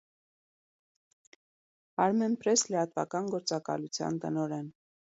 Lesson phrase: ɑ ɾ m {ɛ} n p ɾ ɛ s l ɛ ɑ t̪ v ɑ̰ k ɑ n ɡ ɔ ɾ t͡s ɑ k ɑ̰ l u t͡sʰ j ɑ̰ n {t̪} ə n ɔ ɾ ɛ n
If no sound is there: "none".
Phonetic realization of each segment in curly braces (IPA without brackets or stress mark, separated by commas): ɛ, t̪